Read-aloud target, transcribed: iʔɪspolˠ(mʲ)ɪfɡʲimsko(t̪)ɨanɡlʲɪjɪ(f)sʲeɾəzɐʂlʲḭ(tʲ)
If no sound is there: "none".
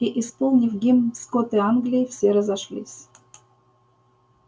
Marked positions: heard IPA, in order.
nʲ, t̪, f, sʲ

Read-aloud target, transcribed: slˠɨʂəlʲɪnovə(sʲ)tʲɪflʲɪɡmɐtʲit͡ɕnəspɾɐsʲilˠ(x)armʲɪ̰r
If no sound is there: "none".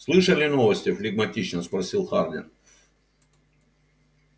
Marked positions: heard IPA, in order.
sʲ, x

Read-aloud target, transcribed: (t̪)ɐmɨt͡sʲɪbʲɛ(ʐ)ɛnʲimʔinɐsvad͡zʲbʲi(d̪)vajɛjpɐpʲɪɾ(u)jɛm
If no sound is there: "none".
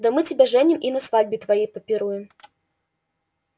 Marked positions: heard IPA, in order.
d̪, ʐ, t̪, u

